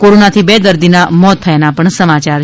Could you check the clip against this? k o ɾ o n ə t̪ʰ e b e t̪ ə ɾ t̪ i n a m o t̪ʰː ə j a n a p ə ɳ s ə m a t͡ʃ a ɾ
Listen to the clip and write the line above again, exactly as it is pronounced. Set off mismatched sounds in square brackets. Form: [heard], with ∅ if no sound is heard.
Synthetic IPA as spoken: k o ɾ o n [a] t̪ʰ [i] b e [d̪] ə ɾ [d̪] i n a m [ɔ] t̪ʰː ə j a n a p ə ɳ s ə m a t͡ʃ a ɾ